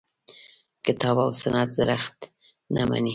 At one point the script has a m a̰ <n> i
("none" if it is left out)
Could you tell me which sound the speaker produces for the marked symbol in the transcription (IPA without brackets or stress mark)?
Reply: n